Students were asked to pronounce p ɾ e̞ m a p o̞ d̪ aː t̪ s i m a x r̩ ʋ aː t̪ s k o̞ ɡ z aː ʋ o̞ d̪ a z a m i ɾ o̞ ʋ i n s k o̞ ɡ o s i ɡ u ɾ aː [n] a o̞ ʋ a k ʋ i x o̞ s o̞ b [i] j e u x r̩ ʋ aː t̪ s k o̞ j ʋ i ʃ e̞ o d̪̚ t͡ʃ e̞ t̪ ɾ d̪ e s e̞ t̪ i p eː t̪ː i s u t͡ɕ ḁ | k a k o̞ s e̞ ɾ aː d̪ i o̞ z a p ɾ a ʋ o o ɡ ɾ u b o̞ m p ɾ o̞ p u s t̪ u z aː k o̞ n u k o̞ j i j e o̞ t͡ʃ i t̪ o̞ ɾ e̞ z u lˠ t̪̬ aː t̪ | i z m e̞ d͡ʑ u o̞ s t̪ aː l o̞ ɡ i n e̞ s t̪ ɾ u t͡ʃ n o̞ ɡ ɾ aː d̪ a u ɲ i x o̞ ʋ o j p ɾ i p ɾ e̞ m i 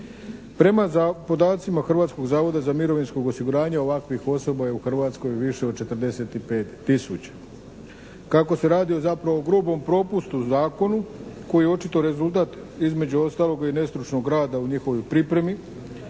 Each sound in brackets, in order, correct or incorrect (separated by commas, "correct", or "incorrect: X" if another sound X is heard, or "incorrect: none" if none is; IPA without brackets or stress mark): incorrect: ɲ, incorrect: a